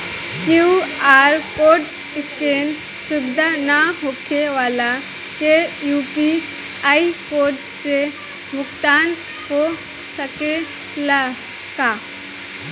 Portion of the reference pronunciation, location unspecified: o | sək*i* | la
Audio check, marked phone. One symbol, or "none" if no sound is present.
e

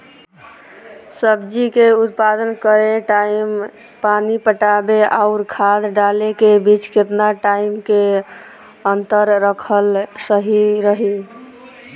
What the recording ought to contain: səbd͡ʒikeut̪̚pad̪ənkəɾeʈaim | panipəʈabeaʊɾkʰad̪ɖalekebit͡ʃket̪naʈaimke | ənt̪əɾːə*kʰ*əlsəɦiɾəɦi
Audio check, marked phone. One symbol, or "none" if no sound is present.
kʰ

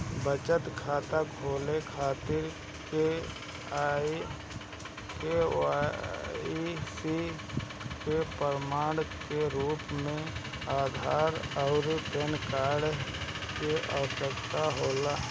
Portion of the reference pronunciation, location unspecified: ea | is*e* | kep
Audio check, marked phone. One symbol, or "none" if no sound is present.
i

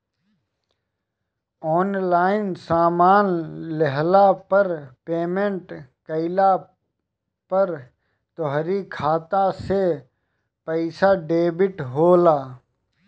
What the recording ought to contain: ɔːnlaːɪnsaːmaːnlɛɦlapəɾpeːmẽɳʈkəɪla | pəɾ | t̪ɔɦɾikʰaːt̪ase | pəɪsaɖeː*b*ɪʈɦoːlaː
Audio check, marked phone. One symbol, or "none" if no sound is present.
b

